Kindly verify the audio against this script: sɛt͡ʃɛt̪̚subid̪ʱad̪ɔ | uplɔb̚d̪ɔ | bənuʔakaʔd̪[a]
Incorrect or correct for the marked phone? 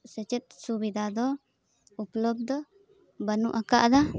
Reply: correct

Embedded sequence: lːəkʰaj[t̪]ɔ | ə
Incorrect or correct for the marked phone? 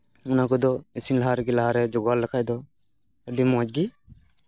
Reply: incorrect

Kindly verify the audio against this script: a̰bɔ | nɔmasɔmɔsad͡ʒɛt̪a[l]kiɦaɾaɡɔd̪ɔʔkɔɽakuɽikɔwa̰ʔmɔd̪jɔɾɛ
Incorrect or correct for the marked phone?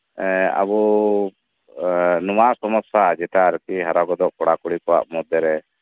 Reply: incorrect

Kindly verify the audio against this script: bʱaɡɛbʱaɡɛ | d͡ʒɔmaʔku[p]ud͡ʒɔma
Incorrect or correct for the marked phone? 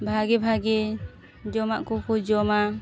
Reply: incorrect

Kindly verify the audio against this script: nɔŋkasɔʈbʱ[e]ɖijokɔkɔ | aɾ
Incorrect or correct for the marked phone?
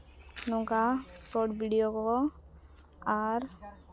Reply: incorrect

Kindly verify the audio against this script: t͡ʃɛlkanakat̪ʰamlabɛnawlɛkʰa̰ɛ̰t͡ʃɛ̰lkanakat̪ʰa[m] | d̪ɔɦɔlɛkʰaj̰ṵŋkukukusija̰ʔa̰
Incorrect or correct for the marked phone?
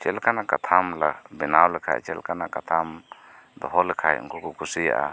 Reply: correct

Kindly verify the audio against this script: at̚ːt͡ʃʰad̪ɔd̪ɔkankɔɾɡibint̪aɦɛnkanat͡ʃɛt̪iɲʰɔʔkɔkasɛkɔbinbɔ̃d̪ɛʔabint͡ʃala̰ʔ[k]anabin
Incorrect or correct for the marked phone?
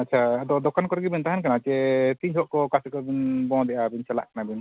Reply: correct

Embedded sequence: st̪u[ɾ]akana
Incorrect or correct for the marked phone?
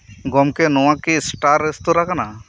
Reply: correct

